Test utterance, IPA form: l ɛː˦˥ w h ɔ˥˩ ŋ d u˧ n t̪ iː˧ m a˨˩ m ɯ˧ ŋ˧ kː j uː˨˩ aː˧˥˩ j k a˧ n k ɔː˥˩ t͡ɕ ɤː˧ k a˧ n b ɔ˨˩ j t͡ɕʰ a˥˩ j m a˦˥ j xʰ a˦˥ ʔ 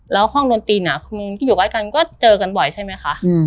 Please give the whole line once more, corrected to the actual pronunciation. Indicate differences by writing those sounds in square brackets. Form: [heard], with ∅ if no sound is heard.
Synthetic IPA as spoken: l ɛː˦˥ w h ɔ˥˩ ŋ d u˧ n t̪ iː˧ [n] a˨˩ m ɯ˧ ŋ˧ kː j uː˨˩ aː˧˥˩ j k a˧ n k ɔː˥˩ t͡ɕ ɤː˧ k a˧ n b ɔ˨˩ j t͡ɕʰ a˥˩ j m a˦˥ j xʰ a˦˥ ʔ